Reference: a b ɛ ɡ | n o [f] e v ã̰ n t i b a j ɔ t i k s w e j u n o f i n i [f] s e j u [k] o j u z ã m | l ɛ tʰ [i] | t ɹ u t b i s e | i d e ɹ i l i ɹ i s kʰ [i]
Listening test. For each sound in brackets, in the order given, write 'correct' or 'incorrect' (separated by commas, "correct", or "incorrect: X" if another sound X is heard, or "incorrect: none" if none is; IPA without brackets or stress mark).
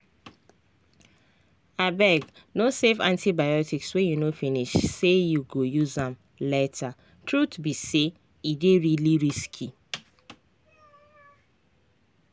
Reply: incorrect: s, incorrect: ʃ, incorrect: ɡ, incorrect: a, correct